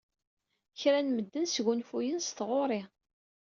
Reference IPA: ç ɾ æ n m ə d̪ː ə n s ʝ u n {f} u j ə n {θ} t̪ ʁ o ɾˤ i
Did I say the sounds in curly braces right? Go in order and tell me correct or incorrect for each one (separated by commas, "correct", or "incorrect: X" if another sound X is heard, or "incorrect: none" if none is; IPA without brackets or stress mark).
correct, incorrect: s